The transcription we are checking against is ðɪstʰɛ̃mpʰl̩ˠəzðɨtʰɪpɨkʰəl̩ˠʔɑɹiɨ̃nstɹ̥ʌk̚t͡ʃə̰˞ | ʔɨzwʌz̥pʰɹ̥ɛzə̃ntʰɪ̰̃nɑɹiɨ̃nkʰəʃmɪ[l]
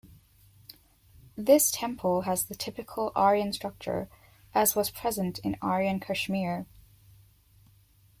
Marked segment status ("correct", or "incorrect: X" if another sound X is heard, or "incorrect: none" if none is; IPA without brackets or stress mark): incorrect: ɹ